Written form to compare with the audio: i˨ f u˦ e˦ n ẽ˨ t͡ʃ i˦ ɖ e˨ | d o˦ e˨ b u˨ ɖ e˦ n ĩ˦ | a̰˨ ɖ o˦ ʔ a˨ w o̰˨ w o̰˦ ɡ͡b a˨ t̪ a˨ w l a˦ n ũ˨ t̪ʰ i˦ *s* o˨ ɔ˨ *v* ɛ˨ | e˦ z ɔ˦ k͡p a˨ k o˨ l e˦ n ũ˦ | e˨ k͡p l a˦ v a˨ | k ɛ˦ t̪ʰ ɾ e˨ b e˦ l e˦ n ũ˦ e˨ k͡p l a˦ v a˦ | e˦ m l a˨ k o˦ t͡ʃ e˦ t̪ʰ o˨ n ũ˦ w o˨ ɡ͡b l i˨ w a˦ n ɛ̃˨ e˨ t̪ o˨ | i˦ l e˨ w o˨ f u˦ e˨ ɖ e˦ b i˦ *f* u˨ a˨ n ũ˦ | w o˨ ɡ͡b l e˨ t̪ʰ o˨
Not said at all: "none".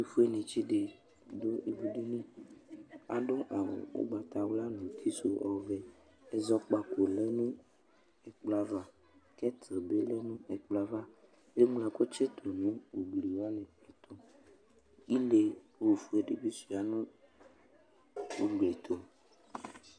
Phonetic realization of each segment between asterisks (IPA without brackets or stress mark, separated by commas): s, v, s